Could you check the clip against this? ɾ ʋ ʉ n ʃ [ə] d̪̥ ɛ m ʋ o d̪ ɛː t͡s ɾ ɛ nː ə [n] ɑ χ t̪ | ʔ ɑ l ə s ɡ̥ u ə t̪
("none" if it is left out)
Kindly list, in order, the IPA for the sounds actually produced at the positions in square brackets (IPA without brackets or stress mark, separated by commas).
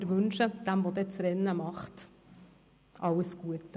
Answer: ə, m